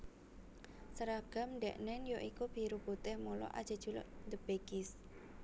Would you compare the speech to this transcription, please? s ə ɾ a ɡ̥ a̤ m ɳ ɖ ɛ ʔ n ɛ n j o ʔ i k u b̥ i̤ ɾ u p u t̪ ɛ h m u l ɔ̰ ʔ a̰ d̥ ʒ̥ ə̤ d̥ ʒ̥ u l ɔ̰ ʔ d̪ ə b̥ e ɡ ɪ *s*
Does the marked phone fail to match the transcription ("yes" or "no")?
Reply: no